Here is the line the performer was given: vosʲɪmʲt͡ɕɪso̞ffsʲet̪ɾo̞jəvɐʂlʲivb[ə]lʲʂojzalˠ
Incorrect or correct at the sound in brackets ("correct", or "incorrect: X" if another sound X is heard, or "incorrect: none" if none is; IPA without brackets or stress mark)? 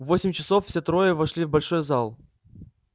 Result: incorrect: ɐ